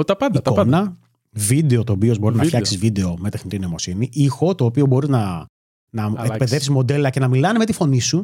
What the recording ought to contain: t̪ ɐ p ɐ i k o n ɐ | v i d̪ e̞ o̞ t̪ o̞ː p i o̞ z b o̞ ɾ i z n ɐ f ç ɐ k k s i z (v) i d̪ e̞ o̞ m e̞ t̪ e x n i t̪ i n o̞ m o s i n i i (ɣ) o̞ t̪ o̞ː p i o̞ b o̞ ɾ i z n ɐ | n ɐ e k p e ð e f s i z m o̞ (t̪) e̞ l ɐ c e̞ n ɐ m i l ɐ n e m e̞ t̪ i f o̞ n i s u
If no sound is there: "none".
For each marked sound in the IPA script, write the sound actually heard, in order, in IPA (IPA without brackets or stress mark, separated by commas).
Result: v, x, d̪